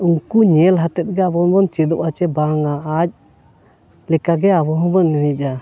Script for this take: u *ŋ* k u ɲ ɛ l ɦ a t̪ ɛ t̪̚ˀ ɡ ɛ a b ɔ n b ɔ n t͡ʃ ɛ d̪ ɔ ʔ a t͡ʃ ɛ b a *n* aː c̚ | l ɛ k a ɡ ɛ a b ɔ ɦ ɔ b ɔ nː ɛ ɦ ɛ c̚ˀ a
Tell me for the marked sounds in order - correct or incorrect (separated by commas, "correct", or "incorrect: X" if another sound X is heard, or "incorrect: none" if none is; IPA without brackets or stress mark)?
correct, incorrect: ŋ